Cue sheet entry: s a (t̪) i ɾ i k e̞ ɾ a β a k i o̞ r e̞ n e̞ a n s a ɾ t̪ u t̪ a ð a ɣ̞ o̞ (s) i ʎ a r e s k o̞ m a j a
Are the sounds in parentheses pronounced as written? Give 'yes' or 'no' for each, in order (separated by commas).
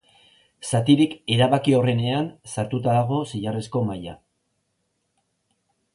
yes, yes